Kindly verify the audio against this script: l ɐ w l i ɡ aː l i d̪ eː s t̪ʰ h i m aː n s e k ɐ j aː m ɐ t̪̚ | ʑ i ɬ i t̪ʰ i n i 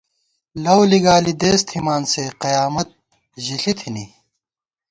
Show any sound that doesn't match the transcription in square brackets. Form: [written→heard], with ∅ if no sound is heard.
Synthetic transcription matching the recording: l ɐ w l i ɡ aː l i d̪ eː s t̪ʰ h i m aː n s e [k→q] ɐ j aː m ɐ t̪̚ | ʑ i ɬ i t̪ʰ i n i